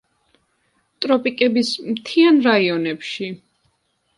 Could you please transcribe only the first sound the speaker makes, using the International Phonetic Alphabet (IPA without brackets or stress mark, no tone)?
t̪ʼ